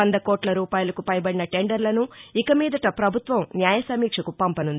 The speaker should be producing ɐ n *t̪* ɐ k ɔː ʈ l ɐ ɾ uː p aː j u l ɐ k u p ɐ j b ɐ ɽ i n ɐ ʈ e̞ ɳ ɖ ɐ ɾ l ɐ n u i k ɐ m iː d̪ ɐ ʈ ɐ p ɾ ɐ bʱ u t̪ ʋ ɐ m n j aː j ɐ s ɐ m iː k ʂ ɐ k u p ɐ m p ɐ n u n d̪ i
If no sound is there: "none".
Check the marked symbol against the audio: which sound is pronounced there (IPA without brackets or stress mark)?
d̪